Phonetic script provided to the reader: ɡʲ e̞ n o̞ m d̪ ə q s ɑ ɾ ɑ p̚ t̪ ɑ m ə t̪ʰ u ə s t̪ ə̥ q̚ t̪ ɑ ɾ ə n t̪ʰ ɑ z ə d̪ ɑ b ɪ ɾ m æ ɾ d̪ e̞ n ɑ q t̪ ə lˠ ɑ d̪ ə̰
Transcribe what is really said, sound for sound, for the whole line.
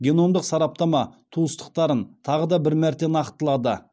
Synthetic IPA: ɡʲ e̞ n o̞ m d̪ ə q s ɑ ɾ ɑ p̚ t̪ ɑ m ɑ t̪ʰ u ə s t̪ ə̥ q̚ t̪ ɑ ɾ ə n t̪ʰ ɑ ʁ ə d̪ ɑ b ɪ ɾ m æ ɾ t̪ e̞ n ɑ q t̪ ə lˠ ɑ d̪ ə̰

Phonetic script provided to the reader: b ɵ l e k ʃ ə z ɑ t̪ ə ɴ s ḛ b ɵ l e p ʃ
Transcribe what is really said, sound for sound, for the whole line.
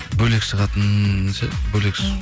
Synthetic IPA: b ɵ l e k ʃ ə ʁ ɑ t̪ ə n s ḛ b ɵ l e k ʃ

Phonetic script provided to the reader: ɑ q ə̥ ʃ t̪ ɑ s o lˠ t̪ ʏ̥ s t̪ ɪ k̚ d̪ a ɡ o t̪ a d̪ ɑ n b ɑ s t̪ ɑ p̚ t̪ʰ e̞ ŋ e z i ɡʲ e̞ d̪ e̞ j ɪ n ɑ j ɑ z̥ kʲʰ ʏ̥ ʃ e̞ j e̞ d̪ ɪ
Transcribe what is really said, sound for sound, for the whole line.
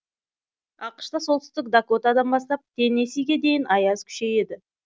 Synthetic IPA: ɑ q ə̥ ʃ t̪ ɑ s o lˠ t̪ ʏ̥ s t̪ ɪ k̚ d̪ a k o t̪ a d̪ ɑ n b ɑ s t̪ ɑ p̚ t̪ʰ e̞ n e s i ɡʲ e̞ d̪ e̞ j ɪ n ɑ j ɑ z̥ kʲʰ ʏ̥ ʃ e̞ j e̞ d̪ ɪ

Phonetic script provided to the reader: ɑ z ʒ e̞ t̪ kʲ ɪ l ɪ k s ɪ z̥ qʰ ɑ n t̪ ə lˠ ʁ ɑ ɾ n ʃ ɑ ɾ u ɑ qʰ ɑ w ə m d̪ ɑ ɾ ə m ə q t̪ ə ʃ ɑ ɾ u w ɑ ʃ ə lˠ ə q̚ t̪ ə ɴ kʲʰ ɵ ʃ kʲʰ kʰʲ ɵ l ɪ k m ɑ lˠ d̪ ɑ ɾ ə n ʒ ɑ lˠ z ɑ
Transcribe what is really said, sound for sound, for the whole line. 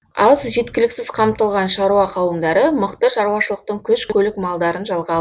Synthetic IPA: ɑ z ʒ e̞ t̪ kʲ ɪ l ɪ k s ɪ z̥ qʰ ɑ m t̪ ə lˠ ʁ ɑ n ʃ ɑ ɾ u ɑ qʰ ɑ w ə m d̪ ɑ ɾ ə m ə q t̪ ə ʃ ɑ ɾ u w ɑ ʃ ə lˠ ə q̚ t̪ ə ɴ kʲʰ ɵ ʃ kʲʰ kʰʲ ɵ l ɪ k m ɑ lˠ d̪ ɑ ɾ ə n ʒ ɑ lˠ ʁ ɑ

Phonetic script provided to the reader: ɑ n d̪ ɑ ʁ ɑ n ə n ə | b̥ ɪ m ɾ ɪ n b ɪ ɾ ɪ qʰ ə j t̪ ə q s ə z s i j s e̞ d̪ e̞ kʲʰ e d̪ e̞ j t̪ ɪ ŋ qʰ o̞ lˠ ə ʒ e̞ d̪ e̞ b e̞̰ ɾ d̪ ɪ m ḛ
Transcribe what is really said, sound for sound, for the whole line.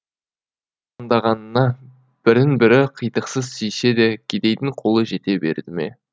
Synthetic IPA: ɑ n d̪ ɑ ʁ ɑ n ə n ɑ | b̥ ɪ ɾ ɪ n b ɪ ɾ ɪ qʰ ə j t̪ ə q s ə z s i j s e̞ d̪ e̞ kʲʰ e d̪ e̞ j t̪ ɪ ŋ qʰ o̞ lˠ ə ʒ e̞ t̪ e̞ b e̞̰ ɾ d̪ ɪ m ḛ

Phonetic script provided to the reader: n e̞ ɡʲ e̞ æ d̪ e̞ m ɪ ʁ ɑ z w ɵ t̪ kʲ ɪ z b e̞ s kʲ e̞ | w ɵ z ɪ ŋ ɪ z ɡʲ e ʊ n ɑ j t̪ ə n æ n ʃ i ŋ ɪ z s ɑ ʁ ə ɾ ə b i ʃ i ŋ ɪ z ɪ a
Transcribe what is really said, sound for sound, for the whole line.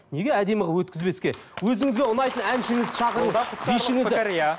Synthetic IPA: n e̞ ɡʲ e̞ æ d̪ e̞ m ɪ ʁ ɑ w ɵ t̪ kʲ ɪ z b e̞ s kʲ e̞ | w ɵ z ɪ ŋ ɪ z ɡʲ e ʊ n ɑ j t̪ ə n æ n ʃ ɪ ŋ ɪ z ʃ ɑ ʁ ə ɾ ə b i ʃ ɪ ŋ ɪ z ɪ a

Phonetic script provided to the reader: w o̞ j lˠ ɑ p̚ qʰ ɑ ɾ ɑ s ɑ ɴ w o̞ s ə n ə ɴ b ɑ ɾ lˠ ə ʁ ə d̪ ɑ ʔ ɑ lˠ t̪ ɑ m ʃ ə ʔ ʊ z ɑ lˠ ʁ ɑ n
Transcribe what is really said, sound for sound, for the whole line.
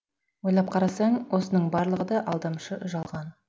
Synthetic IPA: w o̞ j lˠ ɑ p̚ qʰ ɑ ɾ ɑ s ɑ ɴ w o̞ s ə n ə ɴ b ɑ ɾ lˠ ə ʁ ə d̪ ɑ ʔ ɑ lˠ d̪ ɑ m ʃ ə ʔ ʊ ʒ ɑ lˠ ʁ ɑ n

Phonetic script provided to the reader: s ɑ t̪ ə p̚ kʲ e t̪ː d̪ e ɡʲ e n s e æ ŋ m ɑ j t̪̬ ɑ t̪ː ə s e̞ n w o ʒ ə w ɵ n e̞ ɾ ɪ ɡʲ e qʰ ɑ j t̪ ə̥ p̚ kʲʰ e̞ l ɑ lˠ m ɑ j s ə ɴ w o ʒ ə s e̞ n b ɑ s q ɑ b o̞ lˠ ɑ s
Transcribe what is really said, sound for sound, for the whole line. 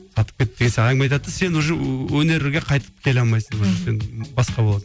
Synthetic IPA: s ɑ t̪ ə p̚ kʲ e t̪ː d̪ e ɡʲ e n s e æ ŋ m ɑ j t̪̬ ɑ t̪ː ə s e̞ n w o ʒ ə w ɵ n e̞ ɾ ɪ ɡʲ e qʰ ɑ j t̪ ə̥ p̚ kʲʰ e̞ l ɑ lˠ m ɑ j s ə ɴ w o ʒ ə s e̞ n b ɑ s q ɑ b o̞ lˠ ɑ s

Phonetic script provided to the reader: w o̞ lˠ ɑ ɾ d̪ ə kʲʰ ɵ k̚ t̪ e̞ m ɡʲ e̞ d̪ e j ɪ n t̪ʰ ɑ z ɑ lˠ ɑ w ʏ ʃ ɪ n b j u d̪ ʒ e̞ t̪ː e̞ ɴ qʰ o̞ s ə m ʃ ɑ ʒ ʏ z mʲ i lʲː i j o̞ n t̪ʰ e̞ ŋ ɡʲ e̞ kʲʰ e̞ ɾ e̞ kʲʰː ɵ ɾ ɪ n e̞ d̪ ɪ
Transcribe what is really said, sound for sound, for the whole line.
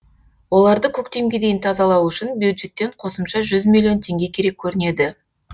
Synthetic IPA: w o̞ lˠ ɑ ɾ d̪ ə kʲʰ ɵ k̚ t̪ e̞ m ɡʲ e̞ d̪ e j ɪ n t̪ʰ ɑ z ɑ lˠ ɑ w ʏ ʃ ɪ n b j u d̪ ʒ e̞ t̪ː e̞ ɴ qʰ o̞ s ə m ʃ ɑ ʒ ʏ z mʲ i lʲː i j o̞ n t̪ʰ e̞ ŋ ɡʲ e̞ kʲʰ e̞ ɾ e̞ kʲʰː ɵ ɾ ɪ n e̞ d̪ ɪ

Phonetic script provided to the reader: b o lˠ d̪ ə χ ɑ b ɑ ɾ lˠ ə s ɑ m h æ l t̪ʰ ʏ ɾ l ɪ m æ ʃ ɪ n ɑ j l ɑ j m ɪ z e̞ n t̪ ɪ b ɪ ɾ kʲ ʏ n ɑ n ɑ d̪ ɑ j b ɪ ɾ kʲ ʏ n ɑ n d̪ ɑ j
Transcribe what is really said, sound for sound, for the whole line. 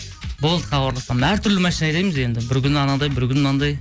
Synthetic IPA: b o lˠ d̪ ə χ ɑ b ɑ ɾ lˠ ɑ s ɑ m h æ ɾ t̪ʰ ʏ ɾ l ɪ m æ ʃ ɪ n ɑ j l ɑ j m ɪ z e̞ n d̪ ɪ b ɪ ɾ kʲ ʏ n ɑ n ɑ d̪ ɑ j b ɪ ɾ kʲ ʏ n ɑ n d̪ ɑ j

